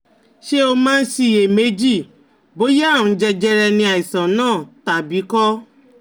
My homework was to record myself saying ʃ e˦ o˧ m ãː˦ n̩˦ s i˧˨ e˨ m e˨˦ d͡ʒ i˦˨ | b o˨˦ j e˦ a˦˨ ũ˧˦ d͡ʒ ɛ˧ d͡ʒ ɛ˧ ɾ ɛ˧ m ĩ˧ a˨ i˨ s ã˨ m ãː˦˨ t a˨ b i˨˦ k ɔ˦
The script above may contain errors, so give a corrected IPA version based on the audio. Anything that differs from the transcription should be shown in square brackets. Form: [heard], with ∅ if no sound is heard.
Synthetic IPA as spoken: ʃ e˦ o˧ m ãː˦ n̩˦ s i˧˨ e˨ m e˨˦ d͡ʒ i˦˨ | b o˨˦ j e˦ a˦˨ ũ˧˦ d͡ʒ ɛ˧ d͡ʒ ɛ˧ ɾ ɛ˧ [n] ĩ˧ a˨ i˨ s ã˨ [n] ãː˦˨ t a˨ b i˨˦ k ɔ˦